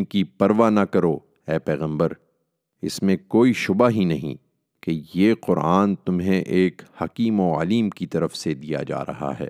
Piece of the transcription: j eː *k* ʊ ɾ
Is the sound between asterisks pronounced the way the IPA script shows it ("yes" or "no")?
no